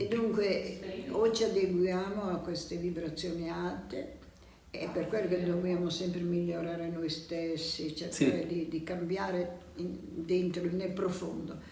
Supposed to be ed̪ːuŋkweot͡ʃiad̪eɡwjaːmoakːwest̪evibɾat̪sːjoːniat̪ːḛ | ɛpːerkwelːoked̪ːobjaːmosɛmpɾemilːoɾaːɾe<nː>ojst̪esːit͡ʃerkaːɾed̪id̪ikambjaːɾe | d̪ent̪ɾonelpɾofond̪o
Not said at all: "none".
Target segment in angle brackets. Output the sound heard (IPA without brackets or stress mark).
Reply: n